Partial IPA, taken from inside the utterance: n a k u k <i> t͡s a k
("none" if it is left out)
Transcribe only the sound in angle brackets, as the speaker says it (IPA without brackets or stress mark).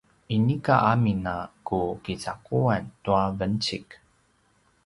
i